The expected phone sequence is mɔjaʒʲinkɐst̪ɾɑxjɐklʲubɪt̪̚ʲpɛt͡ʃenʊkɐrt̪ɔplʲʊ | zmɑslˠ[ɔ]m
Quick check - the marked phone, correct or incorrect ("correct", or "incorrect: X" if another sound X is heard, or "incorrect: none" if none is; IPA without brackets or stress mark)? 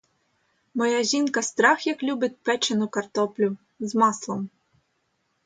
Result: correct